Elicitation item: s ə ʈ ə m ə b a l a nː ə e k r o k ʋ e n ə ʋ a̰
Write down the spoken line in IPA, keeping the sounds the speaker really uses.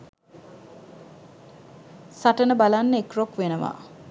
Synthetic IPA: s a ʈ ə n ə b a l a nː ə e k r o k ʋ e n ə ʋ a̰